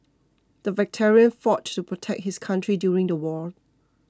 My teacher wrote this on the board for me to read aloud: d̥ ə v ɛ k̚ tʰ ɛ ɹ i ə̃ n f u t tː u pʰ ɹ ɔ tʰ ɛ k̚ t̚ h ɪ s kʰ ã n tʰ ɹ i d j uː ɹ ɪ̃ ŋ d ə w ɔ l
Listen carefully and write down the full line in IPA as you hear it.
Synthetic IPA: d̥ ə v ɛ k̚ tʰ ɛ ɹ i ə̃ n f ɔ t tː u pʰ ɹ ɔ tʰ ɛ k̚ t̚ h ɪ s kʰ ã n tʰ ɹ i d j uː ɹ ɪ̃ ŋ d ə w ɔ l